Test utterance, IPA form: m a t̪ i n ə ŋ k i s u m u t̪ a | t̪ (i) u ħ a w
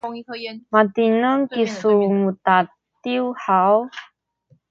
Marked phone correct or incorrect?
correct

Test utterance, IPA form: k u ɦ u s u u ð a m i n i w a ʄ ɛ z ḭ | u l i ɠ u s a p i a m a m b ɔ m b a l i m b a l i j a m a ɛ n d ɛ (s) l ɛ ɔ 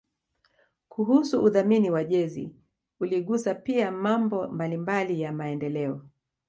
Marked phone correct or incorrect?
incorrect: none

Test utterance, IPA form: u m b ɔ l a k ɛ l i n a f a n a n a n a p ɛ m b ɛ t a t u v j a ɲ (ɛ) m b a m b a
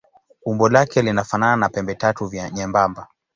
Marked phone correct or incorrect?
correct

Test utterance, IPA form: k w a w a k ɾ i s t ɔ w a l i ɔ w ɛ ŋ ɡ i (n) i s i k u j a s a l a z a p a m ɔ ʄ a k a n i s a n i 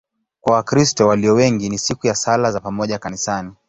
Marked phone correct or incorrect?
correct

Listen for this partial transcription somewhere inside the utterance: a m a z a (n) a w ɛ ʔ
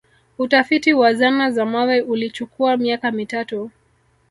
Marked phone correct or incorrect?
incorrect: m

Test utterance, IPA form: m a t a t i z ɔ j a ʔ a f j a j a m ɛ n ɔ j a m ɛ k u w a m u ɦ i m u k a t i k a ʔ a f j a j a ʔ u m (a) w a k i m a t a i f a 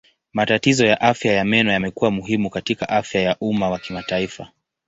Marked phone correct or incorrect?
correct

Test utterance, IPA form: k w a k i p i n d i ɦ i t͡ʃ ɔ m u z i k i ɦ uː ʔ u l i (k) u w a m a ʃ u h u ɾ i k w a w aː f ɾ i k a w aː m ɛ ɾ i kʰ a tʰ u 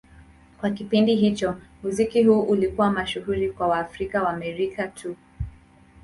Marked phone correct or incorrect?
correct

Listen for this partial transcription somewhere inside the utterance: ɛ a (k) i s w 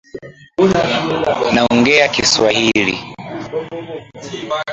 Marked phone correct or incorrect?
correct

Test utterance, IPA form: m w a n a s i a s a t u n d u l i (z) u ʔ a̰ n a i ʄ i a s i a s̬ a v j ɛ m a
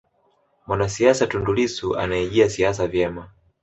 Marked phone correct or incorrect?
incorrect: s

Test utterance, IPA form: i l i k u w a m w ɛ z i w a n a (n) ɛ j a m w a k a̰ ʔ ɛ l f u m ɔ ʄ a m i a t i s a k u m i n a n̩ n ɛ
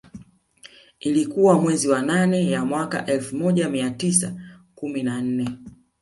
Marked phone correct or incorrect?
correct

